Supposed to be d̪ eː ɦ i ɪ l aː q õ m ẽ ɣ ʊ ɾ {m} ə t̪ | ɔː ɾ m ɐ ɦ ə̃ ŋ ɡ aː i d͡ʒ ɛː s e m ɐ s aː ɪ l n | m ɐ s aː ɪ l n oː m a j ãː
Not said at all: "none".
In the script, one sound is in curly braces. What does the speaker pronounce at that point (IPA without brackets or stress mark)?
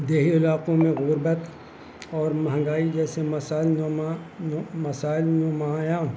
b